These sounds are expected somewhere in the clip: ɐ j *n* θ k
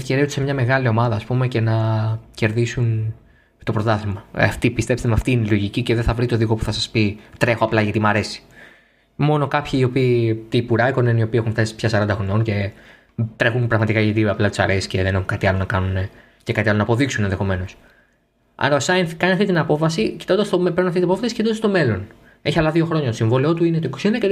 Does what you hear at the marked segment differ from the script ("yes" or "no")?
no